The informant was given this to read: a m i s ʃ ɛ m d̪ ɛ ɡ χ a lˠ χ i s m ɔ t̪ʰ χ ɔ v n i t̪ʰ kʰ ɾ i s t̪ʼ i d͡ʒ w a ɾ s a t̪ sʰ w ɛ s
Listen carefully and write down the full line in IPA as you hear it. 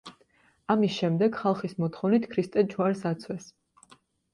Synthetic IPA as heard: a m i s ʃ ɛ m d̪ ɛ ɡ χ a lˠ χ i s m ɔ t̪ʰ χ ɔ v n i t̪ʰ kʰ ɾ i s t̪ʼ ɛ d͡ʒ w a ɾ s a t̪ sʰ w ɛ s

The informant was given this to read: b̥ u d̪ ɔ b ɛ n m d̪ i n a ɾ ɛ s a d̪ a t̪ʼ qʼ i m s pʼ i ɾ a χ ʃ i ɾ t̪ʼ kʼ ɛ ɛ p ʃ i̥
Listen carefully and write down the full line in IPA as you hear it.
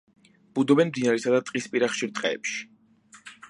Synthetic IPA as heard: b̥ u d̪ ɔ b ɛ n m d̪ i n a ɾ ɛ s a d̪ a t̪ʼ qʼ i s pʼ i ɾ a χ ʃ i ɾ t̪ʼ qʼ ɛ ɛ p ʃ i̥

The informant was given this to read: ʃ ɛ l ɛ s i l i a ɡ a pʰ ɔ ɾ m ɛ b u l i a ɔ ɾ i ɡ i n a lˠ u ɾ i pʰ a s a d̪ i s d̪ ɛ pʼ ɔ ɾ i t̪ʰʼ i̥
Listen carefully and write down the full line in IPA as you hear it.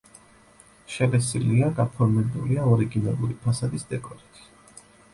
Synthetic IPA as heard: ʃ ɛ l ɛ s i l i a ɡ a pʰ ɔ ɾ m ɛ b u l i a ɔ ɾ i ɡ i n a lˠ u ɾ i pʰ a s a d̪ i s d̪ ɛ kʼ ɔ ɾ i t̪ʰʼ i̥

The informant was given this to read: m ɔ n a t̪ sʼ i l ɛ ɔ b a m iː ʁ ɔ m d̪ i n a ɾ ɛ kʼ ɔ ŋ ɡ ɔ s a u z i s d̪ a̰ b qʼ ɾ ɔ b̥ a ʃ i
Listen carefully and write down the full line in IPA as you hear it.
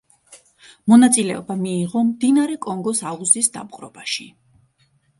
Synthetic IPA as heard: m ɔ n a t̪ sʼ i l ɛ ɔ b a m iː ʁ ɔ m d̪ i n a ɾ ɛ kʼ ɔ ŋ ɡ ɔ s a u z i s d̪ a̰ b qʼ ɾ ɔ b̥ a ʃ i

